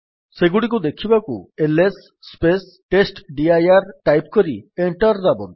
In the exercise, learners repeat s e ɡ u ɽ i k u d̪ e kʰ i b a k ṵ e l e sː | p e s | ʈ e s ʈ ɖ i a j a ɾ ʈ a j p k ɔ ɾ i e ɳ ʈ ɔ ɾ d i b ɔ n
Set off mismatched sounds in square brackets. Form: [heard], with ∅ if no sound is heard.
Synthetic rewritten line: s e ɡ u ɽ i k u d̪ e kʰ i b a k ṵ e l e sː | p e s | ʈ e s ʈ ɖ i a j a ɾ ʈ a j p k ɔ ɾ i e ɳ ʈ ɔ ɾ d [a] b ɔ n